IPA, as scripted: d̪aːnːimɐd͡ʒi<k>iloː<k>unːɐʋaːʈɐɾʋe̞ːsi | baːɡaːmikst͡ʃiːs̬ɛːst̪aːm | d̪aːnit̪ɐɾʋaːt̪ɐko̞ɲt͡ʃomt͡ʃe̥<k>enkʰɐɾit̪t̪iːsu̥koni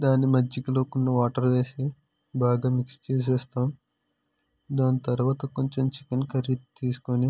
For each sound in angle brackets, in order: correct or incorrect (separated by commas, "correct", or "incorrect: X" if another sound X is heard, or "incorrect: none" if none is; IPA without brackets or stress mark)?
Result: correct, correct, correct